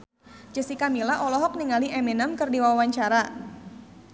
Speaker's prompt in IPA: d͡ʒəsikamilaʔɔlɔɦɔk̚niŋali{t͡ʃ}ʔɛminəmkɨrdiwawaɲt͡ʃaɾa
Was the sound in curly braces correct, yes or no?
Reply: no